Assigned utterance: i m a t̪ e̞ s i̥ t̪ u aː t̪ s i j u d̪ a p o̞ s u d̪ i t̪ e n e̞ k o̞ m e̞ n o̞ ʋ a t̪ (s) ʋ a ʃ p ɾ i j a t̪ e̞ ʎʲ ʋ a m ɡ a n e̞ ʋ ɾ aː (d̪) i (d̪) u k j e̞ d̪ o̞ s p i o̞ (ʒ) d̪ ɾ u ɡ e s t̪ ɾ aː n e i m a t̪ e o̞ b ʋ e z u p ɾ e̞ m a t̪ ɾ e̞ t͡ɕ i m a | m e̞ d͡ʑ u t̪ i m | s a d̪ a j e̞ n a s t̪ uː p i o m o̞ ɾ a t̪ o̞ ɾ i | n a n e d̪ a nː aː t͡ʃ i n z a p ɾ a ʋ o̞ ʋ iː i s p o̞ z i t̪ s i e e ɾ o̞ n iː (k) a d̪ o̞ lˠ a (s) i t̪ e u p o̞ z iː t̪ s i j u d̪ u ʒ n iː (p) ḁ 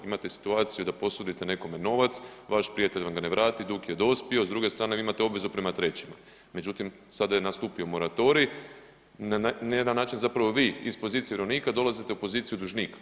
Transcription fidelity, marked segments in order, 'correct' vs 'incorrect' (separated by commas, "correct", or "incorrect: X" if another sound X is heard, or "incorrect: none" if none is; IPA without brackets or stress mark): correct, incorrect: t̪, correct, incorrect: z, correct, incorrect: z, incorrect: k